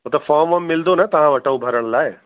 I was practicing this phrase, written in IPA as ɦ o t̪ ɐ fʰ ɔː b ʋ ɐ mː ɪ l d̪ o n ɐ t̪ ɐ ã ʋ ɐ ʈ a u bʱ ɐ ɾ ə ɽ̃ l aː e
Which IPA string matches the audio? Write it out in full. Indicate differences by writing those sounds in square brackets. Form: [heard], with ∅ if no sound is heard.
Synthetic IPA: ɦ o t̪ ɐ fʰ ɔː [m] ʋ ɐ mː ɪ l d̪ o n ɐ t̪ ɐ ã ʋ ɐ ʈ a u bʱ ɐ ɾ ə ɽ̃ l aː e